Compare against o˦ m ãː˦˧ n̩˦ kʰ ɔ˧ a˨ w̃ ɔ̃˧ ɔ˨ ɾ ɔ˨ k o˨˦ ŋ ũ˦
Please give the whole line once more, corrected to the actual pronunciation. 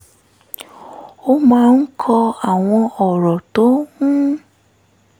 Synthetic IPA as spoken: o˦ m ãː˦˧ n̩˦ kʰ ɔ˧ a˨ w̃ ɔ̃˧ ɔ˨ ɾ ɔ˨ t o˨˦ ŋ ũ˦

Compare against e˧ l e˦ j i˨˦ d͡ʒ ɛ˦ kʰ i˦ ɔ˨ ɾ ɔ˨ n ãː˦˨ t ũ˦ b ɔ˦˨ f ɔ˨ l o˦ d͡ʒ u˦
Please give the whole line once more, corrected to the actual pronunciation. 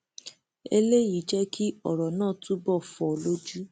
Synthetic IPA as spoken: e˧ l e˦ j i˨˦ d͡ʒ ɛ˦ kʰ i˦ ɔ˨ ɾ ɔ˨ n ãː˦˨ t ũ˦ b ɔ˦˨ f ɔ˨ l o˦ d͡ʒ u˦

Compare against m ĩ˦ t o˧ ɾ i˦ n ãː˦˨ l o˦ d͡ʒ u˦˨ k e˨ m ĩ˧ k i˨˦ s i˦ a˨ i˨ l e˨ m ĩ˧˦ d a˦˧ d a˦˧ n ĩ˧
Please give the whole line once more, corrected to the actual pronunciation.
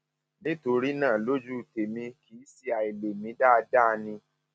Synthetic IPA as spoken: n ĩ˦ t o˧ ɾ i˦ n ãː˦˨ l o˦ d͡ʒ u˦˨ t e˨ m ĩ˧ k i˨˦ s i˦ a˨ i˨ l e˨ m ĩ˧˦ d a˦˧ d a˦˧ n ĩ˧

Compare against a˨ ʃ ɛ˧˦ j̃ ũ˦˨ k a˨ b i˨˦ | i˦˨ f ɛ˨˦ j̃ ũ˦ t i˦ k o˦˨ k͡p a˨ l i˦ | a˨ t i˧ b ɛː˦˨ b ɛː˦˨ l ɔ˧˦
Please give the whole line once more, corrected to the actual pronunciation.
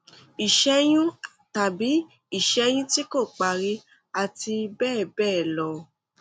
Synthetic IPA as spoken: i˨ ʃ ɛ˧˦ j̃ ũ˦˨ t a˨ b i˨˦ | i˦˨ ʃ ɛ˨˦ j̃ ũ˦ t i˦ k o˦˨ k͡p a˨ ɾ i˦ | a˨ t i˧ b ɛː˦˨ b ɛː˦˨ l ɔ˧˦

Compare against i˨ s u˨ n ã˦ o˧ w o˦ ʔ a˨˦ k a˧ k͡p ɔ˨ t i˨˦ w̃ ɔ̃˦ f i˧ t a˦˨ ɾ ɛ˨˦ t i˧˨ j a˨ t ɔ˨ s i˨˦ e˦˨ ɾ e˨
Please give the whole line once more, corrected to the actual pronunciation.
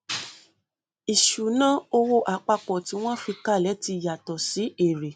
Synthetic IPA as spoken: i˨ ʃ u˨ n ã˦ o˧ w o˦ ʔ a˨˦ k͡p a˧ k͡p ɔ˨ t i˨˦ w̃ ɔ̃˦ f i˧ k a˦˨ l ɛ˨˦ t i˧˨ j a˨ t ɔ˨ s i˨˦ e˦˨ ɾ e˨

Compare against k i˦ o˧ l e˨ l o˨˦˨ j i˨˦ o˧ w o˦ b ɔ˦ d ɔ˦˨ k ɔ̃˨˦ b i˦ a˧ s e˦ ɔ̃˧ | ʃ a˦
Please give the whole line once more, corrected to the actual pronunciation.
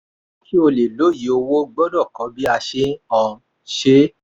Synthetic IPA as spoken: k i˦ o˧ l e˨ l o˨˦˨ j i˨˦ o˧ w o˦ ɡ͡b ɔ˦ d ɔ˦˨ k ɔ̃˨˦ b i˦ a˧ ʃ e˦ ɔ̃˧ | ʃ e˦

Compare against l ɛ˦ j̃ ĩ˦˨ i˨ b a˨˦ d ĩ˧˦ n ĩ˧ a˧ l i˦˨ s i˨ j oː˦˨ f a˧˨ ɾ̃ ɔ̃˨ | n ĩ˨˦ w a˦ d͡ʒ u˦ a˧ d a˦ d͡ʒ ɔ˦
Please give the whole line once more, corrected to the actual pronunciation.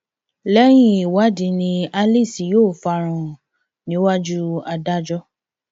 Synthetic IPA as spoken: l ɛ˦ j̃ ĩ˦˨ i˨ w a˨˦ d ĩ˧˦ n ĩ˧ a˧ l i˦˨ s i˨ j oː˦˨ f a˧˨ ɾ̃ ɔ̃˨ | n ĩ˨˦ w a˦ d͡ʒ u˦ a˧ d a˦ d͡ʒ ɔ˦

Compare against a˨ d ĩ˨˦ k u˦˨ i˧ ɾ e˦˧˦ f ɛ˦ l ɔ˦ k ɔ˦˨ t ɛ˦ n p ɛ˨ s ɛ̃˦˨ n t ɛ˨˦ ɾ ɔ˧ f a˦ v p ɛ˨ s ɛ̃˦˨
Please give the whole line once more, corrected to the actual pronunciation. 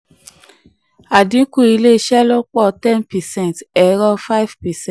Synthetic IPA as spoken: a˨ d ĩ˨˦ k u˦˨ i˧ l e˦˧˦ ʃ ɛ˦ l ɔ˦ k͡p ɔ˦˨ t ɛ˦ n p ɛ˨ s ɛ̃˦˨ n t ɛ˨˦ ɾ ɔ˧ f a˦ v p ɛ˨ s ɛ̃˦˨

